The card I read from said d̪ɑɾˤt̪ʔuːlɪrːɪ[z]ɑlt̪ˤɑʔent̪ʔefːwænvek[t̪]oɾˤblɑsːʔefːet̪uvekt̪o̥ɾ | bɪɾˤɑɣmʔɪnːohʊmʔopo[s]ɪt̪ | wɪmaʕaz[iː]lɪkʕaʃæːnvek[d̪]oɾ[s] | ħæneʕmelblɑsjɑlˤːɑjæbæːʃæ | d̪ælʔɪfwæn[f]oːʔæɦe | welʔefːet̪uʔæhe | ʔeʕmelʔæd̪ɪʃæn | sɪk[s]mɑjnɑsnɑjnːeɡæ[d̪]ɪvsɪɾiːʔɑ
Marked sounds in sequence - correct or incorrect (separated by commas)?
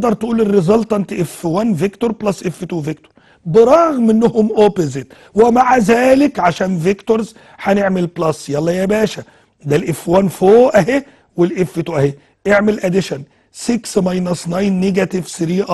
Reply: correct, correct, incorrect, incorrect, incorrect, incorrect, correct, correct, incorrect